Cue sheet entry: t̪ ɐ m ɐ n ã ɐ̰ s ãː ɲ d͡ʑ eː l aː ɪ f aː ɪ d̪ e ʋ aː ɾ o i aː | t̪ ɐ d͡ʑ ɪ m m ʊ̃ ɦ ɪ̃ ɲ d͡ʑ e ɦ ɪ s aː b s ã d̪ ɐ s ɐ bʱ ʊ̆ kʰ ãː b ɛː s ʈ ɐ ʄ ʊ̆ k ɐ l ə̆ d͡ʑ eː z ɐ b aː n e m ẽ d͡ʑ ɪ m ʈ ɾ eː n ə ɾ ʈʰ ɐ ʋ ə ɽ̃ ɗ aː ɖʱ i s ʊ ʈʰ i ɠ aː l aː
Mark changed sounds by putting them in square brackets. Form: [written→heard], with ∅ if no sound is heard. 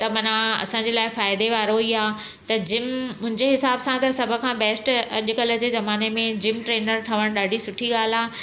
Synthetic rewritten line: t̪ ɐ m ɐ n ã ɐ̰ s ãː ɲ d͡ʑ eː l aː ɪ f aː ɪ d̪ e ʋ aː ɾ o i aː | t̪ ɐ d͡ʑ ɪ m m ʊ̃ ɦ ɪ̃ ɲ d͡ʑ e ɦ ɪ s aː b s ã [d̪→t̪] ɐ s ɐ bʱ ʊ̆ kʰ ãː b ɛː s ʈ ɐ ʄ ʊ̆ k ɐ l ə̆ d͡ʑ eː z ɐ [b→m] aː n e m ẽ d͡ʑ ɪ m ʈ ɾ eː n ə ɾ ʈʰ ɐ ʋ ə ɽ̃ ɗ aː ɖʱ i s ʊ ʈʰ i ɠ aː l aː